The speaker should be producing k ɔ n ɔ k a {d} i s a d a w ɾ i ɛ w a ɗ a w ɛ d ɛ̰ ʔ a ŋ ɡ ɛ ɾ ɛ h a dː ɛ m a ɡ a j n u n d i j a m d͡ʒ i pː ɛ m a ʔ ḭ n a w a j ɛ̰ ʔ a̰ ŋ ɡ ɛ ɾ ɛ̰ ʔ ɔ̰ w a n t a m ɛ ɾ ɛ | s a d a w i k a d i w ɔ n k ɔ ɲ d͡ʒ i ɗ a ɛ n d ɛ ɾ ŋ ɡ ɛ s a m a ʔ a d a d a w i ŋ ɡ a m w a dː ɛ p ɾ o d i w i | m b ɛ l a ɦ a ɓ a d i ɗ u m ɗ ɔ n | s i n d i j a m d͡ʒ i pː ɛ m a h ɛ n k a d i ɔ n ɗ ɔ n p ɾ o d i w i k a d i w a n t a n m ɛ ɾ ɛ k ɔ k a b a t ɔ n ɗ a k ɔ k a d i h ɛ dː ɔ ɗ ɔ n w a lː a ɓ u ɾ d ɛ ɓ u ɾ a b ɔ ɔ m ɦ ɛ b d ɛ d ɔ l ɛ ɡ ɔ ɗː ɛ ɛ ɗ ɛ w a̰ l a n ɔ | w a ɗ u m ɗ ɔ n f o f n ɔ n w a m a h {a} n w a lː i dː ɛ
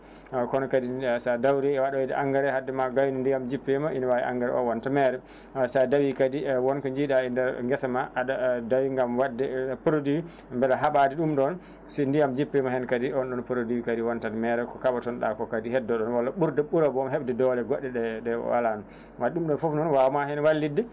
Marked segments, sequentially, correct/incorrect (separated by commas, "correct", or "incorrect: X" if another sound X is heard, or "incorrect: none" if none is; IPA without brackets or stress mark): correct, incorrect: ɛ